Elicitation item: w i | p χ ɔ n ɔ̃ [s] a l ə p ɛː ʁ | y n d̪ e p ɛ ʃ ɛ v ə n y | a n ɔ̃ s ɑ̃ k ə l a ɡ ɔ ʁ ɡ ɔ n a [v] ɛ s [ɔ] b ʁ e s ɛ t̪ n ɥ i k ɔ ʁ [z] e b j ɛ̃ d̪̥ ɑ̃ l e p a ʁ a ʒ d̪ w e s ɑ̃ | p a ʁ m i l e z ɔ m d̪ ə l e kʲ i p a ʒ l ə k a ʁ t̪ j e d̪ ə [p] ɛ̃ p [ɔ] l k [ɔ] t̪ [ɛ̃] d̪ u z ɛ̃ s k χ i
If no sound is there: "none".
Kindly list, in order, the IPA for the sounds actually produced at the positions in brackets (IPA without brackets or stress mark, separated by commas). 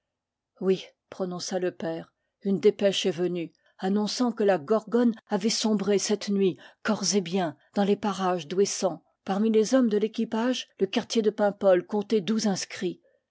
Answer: s, v, ɔ̃, z, p, ɔ, ɔ̃, ɛ